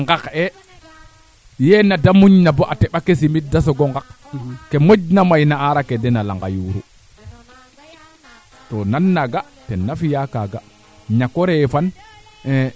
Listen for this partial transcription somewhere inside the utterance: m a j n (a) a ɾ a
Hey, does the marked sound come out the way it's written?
yes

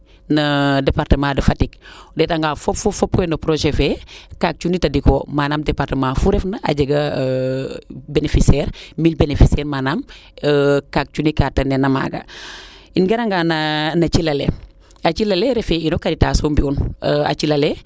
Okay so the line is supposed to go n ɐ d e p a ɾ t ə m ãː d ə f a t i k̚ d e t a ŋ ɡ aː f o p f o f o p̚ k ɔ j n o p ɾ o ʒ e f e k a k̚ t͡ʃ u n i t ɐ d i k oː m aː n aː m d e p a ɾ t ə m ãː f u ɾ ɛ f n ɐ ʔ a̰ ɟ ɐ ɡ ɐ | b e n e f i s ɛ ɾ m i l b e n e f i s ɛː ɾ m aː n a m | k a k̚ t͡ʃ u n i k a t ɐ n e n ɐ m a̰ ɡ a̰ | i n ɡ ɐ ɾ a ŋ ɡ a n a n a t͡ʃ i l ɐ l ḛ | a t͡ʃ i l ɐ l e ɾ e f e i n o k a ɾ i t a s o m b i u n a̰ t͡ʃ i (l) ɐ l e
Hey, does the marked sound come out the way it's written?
yes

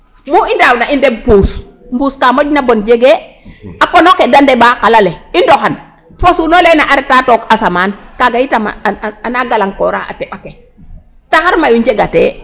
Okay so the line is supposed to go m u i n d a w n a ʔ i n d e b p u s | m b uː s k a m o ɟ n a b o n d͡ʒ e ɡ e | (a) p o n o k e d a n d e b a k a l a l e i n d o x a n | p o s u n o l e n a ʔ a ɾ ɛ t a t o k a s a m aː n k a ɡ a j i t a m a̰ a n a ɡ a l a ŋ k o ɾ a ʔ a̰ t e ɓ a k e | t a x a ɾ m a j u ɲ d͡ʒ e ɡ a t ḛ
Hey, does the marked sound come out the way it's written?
yes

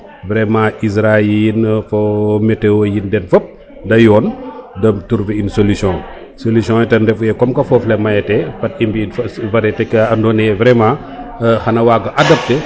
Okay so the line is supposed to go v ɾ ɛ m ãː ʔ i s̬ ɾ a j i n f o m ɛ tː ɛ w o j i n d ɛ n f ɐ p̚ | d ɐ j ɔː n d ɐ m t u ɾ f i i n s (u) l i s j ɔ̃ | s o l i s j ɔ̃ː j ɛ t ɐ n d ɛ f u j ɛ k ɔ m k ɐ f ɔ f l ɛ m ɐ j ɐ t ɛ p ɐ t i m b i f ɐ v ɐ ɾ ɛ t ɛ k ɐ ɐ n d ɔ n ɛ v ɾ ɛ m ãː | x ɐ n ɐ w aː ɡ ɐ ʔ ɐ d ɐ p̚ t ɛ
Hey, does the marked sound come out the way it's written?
no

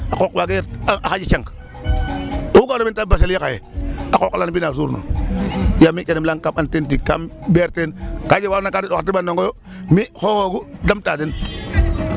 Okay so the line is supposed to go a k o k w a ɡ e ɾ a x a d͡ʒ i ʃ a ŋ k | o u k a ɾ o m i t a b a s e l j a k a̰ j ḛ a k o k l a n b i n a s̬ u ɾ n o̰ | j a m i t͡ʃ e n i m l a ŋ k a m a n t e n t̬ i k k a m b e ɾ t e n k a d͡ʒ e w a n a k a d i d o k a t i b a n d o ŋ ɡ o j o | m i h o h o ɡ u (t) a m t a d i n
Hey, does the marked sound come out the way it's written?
no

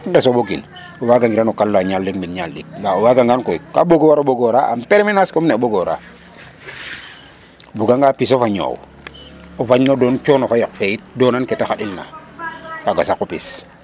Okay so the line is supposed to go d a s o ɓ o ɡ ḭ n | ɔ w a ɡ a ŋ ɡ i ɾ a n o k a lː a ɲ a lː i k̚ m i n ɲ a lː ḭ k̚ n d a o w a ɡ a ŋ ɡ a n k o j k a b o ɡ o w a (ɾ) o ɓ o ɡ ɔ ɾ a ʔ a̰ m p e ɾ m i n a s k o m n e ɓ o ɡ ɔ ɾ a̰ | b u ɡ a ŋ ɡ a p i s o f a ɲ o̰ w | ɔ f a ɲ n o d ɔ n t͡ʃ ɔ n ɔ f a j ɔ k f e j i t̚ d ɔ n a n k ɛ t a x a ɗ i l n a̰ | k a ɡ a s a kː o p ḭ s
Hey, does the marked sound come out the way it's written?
yes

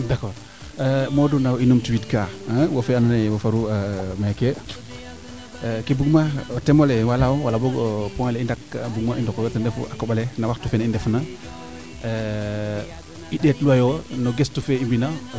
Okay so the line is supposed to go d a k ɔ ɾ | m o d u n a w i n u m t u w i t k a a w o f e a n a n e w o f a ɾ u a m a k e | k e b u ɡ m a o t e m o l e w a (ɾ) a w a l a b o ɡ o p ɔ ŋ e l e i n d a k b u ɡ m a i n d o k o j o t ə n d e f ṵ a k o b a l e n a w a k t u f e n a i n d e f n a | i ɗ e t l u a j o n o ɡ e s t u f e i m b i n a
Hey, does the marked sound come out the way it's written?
no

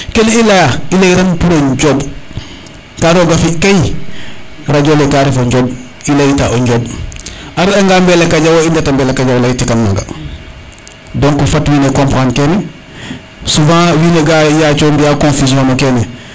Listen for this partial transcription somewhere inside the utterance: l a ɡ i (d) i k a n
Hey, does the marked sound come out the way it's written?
no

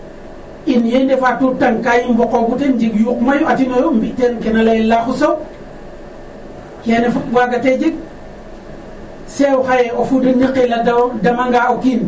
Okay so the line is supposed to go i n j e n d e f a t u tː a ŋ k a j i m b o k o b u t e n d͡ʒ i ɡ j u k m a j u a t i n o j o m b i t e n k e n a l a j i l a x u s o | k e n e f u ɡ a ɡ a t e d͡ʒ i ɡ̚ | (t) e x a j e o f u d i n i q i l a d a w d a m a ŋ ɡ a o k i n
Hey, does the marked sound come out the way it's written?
no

